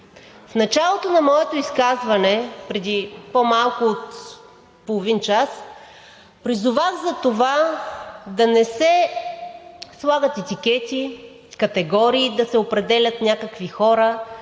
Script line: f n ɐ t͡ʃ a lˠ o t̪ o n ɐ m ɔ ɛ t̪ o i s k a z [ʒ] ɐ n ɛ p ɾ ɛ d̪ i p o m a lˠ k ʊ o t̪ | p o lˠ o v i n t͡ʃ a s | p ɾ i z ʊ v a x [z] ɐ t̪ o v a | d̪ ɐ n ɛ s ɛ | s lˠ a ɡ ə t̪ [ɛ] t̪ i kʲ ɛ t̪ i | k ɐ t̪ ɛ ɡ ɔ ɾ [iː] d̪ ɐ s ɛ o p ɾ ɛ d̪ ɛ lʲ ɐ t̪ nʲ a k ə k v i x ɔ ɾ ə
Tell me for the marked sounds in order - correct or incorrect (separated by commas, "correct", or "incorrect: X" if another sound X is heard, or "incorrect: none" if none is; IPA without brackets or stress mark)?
incorrect: v, correct, correct, correct